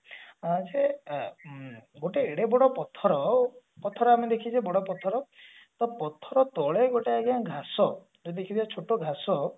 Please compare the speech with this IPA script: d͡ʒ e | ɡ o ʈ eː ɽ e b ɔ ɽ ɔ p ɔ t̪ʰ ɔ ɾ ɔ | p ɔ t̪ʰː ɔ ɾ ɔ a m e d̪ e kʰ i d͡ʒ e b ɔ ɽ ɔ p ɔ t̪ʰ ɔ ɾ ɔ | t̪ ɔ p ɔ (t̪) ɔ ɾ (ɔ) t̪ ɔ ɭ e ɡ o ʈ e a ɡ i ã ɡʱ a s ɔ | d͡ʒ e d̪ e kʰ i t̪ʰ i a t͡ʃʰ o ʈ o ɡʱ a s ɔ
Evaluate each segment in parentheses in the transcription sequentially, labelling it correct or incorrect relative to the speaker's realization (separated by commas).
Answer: incorrect, correct